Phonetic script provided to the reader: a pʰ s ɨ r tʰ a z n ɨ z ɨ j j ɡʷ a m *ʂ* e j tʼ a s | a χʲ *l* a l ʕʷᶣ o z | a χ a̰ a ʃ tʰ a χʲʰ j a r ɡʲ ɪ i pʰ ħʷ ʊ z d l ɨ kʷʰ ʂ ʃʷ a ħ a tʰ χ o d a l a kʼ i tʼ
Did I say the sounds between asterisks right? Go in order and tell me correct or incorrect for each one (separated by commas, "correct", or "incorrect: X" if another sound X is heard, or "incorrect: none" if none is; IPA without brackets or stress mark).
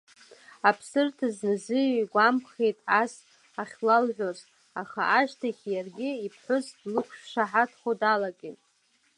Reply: incorrect: χ, correct